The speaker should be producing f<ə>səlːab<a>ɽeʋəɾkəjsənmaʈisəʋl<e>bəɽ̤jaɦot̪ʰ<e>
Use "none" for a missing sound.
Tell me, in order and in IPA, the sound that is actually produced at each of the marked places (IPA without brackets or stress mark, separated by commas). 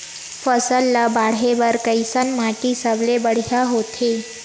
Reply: ə, a, e, e